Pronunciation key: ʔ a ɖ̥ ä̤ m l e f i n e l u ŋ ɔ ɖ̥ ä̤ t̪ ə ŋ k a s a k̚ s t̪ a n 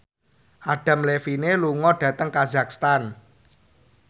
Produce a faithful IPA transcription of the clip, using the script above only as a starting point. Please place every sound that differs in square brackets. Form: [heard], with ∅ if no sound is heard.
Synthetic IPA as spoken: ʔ a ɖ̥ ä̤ m l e f i n e l u ŋ ɔ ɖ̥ ä̤ t̪ ə ŋ k a [z] a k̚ s t̪ a n